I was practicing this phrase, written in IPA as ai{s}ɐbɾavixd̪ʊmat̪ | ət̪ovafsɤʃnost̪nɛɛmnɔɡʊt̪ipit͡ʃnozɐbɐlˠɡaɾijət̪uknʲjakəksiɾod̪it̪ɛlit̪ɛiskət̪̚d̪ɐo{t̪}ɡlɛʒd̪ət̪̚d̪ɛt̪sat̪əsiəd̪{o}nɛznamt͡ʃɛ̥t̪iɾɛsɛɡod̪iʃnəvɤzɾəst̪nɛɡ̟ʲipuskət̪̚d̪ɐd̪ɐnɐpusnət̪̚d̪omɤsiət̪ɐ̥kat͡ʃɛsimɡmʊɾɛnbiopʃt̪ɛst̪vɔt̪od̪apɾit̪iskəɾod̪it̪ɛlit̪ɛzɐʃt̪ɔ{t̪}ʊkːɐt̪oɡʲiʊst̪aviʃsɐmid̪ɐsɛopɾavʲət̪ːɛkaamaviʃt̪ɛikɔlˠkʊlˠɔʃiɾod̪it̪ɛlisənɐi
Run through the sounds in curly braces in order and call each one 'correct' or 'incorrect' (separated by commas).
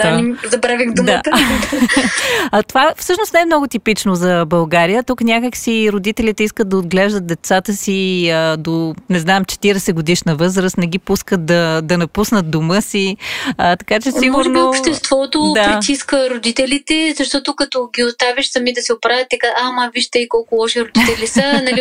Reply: incorrect, incorrect, correct, correct